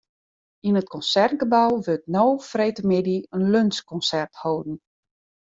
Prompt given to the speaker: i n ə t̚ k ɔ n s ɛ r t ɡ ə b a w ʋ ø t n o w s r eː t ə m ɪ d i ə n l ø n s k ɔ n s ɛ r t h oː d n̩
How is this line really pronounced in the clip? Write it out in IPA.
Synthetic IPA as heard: i n ə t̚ k ɔ n s ɛ r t ɡ ə b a w ʋ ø t n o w f r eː t ə m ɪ d i ə n l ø n s k ɔ n s ɛ r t h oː d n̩